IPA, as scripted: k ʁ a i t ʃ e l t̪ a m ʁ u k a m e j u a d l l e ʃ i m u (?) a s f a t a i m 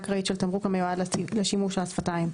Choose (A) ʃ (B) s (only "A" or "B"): A